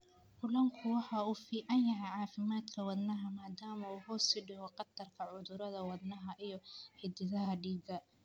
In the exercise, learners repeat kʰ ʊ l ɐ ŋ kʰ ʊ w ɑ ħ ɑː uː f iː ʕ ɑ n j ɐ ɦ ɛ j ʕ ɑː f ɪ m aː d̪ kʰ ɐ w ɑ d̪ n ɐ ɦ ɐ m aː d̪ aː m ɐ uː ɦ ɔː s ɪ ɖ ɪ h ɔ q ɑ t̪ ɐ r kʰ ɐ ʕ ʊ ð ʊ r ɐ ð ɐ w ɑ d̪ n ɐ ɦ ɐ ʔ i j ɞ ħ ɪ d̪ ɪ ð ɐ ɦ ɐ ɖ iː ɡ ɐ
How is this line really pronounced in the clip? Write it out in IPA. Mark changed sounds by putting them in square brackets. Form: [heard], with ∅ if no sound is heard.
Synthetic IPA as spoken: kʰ ʊ l ɐ ŋ kʰ ʊ w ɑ ħ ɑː uː f iː ʕ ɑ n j ɐ ɦ ɛ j ʕ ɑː f ɪ m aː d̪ kʰ ɐ w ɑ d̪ n ɐ ɦ ɐ m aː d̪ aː m ɐ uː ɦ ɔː s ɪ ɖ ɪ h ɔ q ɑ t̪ ɐ r kʰ ɐ ʕ ʊ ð ʊ [ɾ] ɐ ð ɐ w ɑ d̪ n ɐ ɦ ɐ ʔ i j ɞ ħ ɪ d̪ ɪ ð ɐ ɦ ɐ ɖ iː ɡ ɐ